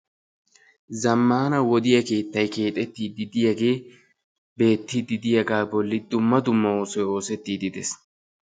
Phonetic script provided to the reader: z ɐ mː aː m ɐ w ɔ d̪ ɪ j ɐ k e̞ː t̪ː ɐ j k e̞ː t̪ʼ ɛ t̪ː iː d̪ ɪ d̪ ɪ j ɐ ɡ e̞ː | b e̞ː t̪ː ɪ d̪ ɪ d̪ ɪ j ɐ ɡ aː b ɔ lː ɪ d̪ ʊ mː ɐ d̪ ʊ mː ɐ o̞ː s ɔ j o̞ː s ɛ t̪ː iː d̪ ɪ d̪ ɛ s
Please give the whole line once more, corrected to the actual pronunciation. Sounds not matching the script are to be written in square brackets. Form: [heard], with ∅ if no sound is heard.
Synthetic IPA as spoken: z ɐ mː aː [n] ɐ w ɔ d̪ ɪ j ɐ k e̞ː t̪ː ɐ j k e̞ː t̪ʼ ɛ t̪ː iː d̪ ɪ d̪ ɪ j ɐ ɡ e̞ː | b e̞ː t̪ː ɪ d̪ ɪ d̪ ɪ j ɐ ɡ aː b ɔ lː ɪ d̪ ʊ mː ɐ d̪ ʊ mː ɐ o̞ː s ɔ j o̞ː s ɛ t̪ː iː d̪ ɪ d̪ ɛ s